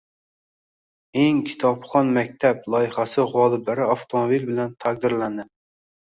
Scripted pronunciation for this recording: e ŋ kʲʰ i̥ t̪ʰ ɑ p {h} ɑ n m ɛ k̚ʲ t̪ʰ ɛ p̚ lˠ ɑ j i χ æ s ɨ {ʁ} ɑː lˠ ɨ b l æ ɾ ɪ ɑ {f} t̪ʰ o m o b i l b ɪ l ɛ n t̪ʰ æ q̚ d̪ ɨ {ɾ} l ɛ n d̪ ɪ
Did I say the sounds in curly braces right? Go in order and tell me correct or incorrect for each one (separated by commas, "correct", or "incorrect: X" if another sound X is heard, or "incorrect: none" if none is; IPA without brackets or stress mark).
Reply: incorrect: χ, correct, correct, correct